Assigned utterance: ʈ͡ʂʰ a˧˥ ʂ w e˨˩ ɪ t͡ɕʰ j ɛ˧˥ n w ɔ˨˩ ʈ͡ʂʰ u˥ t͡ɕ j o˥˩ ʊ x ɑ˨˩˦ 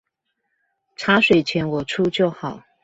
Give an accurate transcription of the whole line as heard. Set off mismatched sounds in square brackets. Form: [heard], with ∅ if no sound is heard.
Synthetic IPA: ʈ͡ʂʰ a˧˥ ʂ w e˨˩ ɪ t͡ɕʰ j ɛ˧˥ n w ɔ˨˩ ʈ͡ʂʰ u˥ t͡ɕ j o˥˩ ʊ x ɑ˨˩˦

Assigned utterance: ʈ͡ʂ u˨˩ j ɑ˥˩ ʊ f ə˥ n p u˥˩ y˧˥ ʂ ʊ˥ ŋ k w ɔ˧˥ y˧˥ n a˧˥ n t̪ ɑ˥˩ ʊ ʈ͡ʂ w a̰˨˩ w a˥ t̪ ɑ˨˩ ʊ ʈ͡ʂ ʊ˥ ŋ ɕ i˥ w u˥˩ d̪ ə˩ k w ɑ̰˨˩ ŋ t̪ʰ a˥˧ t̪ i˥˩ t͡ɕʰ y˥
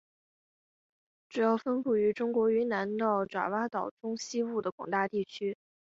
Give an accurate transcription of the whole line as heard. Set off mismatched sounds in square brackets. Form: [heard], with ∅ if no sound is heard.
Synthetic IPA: ʈ͡ʂ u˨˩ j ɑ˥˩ ʊ f ə˥ n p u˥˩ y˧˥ [ʈ͡ʂ] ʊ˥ ŋ k w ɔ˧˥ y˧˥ n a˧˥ n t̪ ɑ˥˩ ʊ ʈ͡ʂ w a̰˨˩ w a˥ t̪ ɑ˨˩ ʊ ʈ͡ʂ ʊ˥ ŋ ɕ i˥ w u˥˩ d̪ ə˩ k w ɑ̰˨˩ ŋ [t̪] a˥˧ t̪ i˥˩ t͡ɕʰ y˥

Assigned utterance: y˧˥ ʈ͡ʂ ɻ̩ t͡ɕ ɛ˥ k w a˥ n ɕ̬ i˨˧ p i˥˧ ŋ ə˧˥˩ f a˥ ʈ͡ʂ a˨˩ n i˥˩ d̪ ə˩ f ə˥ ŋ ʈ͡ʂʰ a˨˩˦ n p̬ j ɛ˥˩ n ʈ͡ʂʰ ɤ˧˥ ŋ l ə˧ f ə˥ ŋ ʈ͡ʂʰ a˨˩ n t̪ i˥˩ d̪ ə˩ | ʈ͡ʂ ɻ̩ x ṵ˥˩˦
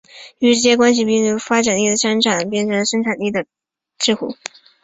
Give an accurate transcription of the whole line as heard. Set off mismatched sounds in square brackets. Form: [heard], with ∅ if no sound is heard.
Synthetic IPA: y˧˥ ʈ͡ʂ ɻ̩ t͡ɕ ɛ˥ k w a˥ n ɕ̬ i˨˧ p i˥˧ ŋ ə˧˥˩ f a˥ ʈ͡ʂ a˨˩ n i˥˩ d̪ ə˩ [ʂ] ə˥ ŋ ʈ͡ʂʰ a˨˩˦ n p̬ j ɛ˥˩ n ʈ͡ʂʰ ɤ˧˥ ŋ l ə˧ [ʂ] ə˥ ŋ ʈ͡ʂʰ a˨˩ n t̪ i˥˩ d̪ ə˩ | ʈ͡ʂ ɻ̩ x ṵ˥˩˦

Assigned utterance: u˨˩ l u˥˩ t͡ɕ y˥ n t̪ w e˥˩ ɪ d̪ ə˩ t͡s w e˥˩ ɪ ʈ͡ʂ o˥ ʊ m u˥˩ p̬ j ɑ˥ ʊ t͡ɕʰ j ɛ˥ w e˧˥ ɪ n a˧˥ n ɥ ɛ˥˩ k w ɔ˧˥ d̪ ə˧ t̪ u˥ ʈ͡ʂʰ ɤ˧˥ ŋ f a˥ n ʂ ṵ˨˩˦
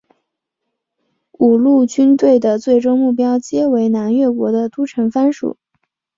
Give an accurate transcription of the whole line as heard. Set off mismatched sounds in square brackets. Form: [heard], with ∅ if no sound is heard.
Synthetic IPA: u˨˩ l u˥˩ t͡ɕ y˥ n t̪ w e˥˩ ɪ d̪ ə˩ t͡s w e˥˩ ɪ ʈ͡ʂ o˥ ʊ m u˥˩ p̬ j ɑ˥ ʊ [t͡ɕ] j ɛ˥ w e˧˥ ɪ n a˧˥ n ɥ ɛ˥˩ k w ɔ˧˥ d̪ ə˧ t̪ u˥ ʈ͡ʂʰ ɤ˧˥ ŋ f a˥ n ʂ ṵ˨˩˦

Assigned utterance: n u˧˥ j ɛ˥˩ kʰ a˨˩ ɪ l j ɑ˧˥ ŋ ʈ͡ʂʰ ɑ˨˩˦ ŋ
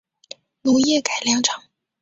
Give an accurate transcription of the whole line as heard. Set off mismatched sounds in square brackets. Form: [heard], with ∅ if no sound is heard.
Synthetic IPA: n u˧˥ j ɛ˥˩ [k] a˨˩ ɪ l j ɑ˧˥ ŋ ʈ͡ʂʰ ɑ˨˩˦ ŋ

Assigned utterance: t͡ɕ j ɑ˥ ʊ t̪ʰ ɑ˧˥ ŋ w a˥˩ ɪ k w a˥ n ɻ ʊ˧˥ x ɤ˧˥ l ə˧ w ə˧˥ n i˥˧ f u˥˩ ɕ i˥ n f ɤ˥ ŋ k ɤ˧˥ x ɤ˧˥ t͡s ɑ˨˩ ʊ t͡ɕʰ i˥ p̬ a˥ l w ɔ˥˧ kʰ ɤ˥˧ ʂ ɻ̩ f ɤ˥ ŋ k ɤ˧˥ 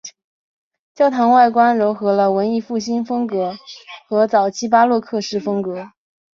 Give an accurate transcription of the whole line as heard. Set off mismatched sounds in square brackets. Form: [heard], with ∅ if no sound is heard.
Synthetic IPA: t͡ɕ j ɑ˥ ʊ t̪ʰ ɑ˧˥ ŋ w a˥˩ ɪ k w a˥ n ɻ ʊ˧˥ x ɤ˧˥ l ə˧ w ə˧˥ n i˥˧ f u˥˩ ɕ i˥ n f ɤ˥ ŋ k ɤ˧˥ x ɤ˧˥ t͡s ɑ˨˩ ʊ t͡ɕʰ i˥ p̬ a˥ l w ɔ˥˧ kʰ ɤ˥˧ ʂ ɻ̩ f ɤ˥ ŋ k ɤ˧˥

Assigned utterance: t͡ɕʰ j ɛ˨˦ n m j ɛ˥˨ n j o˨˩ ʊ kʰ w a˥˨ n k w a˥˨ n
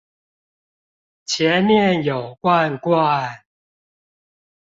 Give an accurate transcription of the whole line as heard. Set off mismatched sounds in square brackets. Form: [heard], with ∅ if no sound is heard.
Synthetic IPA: t͡ɕʰ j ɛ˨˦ n m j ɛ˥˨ n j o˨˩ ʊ [k] w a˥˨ n k w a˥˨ n

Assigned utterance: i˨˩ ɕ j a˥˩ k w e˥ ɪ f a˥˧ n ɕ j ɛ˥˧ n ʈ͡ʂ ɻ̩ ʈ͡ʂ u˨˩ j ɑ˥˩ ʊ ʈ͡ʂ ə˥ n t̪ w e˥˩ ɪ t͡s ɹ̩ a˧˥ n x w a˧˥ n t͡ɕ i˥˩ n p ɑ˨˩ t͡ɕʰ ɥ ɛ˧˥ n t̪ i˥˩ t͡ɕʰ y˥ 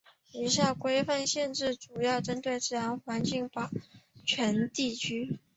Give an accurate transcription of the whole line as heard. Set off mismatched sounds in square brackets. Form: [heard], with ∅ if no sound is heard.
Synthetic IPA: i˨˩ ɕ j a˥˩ k w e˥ ɪ f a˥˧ n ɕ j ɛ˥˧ n ʈ͡ʂ ɻ̩ ʈ͡ʂ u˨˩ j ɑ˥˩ ʊ ʈ͡ʂ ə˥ n t̪ w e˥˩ ɪ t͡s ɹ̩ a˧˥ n x w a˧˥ n t͡ɕ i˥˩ [ŋ] p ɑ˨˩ t͡ɕʰ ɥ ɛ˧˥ n t̪ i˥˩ t͡ɕʰ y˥

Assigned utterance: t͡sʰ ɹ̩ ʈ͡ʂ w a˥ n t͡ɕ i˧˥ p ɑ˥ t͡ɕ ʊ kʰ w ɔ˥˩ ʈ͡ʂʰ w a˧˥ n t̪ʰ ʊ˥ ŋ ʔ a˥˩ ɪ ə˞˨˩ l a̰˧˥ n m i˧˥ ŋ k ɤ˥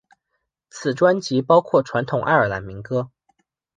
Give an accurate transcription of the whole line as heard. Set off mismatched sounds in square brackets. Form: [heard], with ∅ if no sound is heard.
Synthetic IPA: t͡sʰ ɹ̩ ʈ͡ʂ w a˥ n t͡ɕ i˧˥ p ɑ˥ [∅] ʊ kʰ w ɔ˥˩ ʈ͡ʂʰ w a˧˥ n t̪ʰ [ʊ˨˩] ŋ ʔ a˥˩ ɪ ə˞˨˩ l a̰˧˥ n m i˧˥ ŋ k ɤ˥

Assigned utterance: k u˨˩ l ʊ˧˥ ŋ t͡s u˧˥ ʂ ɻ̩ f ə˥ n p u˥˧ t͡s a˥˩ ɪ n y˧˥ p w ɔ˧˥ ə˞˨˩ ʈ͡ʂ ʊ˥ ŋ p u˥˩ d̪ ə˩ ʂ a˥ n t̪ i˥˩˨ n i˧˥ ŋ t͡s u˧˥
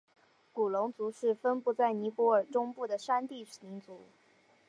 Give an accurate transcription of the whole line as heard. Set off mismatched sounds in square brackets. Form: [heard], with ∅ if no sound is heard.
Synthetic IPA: k u˨˩ l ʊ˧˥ ŋ t͡s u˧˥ ʂ ɻ̩ f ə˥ n p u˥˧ t͡s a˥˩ ɪ n [i˧˥] p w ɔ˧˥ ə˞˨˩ ʈ͡ʂ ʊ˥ ŋ p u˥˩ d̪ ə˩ ʂ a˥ n t̪ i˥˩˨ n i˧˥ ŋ t͡s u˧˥

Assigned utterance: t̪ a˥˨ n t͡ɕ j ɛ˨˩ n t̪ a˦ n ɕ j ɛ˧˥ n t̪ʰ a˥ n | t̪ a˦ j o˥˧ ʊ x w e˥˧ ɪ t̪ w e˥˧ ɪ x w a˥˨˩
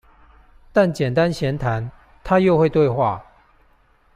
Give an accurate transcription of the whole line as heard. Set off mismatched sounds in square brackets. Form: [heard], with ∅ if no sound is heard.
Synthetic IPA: t̪ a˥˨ n t͡ɕ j ɛ˨˩ n t̪ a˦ n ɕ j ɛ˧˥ n t̪ʰ [a˧˦] n | [t̪ʰ] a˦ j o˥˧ ʊ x w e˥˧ ɪ t̪ w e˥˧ ɪ x w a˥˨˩

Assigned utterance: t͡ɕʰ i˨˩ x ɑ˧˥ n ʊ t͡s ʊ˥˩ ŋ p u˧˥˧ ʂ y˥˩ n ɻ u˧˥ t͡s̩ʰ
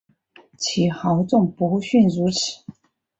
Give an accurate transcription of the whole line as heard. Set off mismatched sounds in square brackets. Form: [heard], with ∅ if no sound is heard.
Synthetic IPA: t͡ɕʰ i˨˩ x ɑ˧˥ [∅] ʊ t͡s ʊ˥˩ ŋ p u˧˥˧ [ɕ] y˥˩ n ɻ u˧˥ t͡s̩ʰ

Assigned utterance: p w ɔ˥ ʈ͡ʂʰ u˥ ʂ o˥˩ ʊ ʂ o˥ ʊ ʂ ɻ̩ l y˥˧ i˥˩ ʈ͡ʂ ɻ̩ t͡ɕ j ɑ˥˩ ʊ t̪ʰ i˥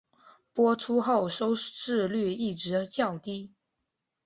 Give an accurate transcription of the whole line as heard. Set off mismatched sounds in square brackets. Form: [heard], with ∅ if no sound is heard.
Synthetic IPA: p w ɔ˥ ʈ͡ʂʰ u˥ [x] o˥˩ ʊ ʂ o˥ ʊ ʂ ɻ̩ l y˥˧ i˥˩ ʈ͡ʂ ɻ̩ t͡ɕ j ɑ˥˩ ʊ [t̪] i˥

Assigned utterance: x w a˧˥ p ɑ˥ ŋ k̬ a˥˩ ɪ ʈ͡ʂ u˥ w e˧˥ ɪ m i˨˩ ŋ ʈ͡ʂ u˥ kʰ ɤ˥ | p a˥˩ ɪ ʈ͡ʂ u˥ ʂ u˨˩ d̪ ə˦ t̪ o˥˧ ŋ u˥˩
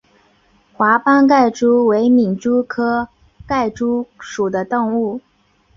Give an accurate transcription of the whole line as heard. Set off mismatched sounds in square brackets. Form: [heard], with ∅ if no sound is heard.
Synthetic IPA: x w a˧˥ p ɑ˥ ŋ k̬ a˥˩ ɪ ʈ͡ʂ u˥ w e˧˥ ɪ m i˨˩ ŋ ʈ͡ʂ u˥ kʰ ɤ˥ | [k] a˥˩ ɪ ʈ͡ʂ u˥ ʂ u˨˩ d̪ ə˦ t̪ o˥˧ ŋ u˥˩

